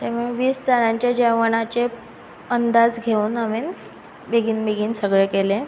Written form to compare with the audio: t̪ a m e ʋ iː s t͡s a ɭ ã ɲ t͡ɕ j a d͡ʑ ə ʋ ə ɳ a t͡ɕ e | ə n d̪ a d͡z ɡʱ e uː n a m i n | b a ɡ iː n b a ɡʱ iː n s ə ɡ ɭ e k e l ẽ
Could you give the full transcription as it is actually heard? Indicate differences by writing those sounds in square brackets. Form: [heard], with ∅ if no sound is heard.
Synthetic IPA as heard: t̪ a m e ʋ iː s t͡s a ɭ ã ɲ t͡ɕ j a d͡ʑ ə ʋ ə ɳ a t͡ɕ e | ə n d̪ a d͡z ɡʱ e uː n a m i n | b [e] ɡ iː n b [e] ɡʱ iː n s ə ɡ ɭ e k e l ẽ